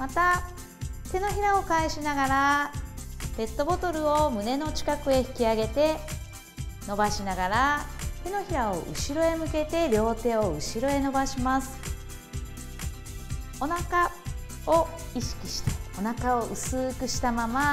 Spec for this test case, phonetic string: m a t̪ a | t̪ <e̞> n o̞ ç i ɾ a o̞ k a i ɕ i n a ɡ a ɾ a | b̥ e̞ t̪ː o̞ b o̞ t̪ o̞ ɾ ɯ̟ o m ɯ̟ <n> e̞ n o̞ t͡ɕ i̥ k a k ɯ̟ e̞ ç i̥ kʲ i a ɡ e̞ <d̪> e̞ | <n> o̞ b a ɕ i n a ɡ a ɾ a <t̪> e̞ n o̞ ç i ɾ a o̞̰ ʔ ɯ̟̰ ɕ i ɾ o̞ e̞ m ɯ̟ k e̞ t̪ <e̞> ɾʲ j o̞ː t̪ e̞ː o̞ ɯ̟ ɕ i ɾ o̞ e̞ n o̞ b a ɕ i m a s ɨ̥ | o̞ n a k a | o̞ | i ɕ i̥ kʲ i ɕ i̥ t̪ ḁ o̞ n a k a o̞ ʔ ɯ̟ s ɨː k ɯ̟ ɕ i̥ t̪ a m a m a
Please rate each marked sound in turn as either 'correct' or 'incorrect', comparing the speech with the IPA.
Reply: correct, correct, incorrect: t̪, correct, correct, correct

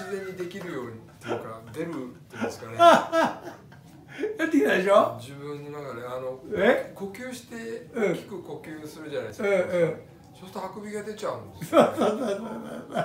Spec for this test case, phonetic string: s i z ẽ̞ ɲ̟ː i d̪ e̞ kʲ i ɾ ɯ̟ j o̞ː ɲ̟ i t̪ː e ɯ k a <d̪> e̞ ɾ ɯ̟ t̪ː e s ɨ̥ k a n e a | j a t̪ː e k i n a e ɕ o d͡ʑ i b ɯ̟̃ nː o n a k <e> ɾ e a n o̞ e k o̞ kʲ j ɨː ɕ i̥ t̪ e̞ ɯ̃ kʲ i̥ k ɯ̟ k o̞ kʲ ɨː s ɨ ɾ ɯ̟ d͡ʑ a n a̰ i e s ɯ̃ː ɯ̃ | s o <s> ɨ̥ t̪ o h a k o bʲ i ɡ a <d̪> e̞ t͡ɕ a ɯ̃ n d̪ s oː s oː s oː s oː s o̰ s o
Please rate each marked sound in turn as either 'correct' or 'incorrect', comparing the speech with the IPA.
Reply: correct, incorrect: a, correct, correct

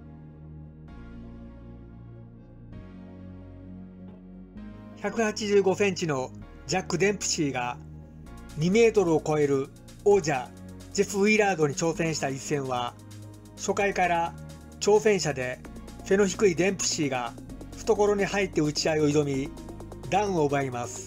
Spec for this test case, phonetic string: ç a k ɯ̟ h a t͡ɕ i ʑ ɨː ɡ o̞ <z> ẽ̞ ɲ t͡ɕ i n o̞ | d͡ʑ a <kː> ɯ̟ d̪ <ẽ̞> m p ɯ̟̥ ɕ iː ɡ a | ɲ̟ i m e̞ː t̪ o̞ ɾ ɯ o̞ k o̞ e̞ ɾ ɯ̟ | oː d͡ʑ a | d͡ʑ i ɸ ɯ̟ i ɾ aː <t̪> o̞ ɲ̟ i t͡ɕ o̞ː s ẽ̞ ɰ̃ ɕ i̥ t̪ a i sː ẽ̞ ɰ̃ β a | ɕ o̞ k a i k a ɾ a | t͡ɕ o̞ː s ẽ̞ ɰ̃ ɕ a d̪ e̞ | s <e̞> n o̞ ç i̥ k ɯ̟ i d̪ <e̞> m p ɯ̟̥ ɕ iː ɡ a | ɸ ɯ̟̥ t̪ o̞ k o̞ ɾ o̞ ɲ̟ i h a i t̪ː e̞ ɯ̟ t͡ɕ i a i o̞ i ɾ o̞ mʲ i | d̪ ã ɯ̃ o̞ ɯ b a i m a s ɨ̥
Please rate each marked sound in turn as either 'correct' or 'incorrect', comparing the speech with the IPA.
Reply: incorrect: s, correct, correct, incorrect: d̪, correct, incorrect: ẽ̞

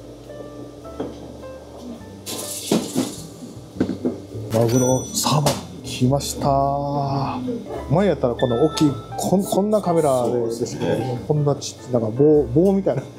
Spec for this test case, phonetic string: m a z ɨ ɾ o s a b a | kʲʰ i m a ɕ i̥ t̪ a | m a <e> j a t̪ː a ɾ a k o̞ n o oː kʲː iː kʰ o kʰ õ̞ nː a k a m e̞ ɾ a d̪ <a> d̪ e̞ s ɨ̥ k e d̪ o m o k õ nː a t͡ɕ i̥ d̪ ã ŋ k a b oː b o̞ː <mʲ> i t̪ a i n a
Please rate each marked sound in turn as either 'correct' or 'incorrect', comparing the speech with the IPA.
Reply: correct, incorrect: e, correct

